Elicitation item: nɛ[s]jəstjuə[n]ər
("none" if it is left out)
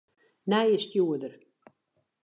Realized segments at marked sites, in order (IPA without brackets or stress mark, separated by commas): none, d